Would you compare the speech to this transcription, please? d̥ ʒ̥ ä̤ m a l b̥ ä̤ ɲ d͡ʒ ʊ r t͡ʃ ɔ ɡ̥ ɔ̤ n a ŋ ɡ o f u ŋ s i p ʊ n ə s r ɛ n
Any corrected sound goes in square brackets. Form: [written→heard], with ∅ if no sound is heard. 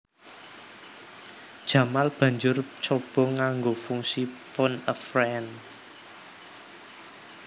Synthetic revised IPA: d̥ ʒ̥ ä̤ m a l b̥ ä̤ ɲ d͡ʒ ʊ r t͡ʃ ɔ [ɡ̥→b̥] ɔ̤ [n→ŋ] a ŋ ɡ o f u ŋ s i p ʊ n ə [s→f] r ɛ n